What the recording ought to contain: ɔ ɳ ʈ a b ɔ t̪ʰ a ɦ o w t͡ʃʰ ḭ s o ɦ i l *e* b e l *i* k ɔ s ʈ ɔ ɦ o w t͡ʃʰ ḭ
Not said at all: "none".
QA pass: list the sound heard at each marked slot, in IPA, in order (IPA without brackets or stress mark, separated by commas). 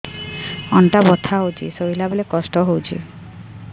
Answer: a, e